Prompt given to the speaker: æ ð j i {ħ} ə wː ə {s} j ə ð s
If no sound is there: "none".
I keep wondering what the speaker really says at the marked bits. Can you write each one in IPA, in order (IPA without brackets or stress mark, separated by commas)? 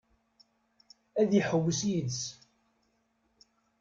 ħ, s